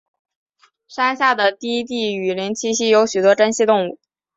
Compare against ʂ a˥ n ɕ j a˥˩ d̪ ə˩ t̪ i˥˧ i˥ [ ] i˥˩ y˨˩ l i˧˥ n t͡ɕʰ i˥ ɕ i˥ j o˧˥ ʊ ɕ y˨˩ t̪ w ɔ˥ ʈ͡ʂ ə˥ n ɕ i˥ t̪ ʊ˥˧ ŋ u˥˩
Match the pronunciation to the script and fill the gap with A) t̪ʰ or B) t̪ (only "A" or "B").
B